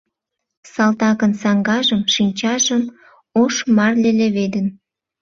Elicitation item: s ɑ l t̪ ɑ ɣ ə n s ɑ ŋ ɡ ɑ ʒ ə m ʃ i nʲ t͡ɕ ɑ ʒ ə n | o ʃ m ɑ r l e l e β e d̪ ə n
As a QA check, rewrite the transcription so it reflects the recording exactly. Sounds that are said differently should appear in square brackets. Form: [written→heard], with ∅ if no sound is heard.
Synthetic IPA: s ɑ l t̪ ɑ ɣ ə n s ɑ ŋ ɡ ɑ ʒ ə m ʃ i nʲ t͡ɕ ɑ ʒ ə [n→m] | o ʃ m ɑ r l e l e β e d̪ ə n